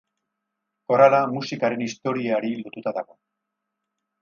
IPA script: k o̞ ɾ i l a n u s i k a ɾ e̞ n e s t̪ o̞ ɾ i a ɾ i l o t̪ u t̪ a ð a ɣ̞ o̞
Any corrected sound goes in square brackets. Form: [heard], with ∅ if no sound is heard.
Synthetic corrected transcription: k o̞ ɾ [a] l a [m] u s i k a ɾ e̞ n [i] s t̪ o̞ ɾ i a ɾ i l o t̪ u t̪ a ð a ɣ̞ o̞